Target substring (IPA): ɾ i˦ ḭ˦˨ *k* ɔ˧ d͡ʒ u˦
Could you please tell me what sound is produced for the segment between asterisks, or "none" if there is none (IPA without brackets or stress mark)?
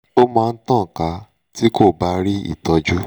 t